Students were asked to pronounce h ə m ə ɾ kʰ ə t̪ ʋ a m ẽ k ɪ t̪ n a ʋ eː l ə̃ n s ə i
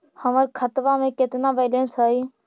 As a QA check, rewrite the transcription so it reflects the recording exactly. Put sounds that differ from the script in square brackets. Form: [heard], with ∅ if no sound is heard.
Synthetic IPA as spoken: h ə m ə ɾ kʰ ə t̪ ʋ a m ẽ k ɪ t̪ n a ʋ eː l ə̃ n s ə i